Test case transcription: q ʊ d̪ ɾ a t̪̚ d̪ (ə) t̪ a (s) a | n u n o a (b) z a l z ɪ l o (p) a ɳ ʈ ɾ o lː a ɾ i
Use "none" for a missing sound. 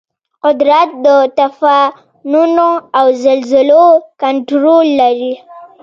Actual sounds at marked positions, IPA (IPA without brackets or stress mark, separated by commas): ə, f, w, k